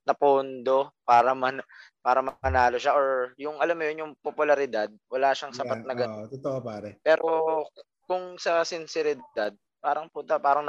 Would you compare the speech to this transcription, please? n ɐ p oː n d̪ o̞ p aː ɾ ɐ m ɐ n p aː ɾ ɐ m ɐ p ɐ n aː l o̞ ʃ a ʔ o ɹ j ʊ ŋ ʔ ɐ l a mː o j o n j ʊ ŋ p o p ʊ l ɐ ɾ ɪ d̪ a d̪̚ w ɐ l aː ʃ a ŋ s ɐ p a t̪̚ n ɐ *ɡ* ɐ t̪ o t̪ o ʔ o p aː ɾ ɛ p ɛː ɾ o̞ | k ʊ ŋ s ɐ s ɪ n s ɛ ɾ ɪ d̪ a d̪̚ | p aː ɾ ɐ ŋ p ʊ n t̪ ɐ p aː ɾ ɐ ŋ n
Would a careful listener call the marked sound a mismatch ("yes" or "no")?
no